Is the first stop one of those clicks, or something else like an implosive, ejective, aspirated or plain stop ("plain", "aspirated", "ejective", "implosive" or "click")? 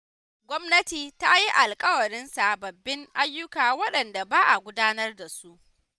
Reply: plain